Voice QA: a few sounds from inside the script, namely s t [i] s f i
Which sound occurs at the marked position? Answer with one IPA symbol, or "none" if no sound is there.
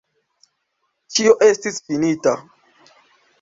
i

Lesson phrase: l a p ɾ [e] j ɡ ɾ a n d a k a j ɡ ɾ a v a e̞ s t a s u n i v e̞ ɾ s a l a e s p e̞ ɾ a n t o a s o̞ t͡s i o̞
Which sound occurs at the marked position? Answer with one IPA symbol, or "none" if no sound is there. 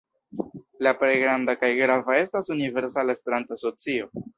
e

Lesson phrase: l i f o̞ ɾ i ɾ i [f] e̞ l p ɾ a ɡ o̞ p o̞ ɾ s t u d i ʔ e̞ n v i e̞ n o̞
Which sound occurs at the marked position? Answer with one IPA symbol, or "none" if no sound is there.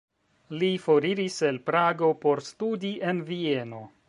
s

